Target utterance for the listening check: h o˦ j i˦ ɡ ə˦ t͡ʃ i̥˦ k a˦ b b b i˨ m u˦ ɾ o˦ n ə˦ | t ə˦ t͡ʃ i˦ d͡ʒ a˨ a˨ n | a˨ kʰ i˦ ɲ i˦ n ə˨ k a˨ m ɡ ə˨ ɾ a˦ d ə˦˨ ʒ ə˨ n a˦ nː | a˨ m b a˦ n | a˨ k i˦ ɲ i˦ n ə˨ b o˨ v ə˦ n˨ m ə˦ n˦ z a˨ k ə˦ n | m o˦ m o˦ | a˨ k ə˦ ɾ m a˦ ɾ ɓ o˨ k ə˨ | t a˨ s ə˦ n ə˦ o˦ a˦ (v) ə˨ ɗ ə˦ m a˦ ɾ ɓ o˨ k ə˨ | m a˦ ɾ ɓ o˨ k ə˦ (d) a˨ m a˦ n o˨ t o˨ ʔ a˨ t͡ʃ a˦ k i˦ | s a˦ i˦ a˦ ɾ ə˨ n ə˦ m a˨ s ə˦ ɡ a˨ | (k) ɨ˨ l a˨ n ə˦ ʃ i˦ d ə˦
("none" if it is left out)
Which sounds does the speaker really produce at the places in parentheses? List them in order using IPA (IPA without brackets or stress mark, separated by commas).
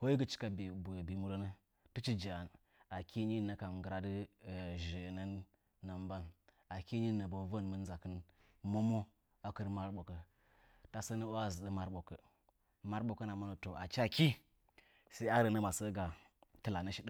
z, n, t